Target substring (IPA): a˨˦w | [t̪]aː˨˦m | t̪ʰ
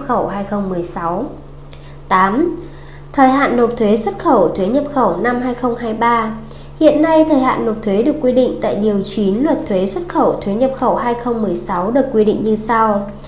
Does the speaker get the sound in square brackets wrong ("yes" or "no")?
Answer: no